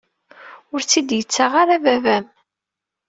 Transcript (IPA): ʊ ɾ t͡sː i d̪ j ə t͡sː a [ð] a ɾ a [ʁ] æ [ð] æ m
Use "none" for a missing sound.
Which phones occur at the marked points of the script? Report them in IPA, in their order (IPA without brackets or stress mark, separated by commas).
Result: ʁ, v, v